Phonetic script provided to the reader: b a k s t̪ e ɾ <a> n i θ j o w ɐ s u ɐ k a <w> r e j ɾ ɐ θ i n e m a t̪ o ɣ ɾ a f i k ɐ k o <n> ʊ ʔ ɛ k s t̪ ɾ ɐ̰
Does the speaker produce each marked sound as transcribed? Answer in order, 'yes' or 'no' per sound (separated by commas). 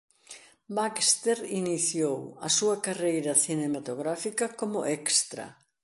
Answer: no, no, no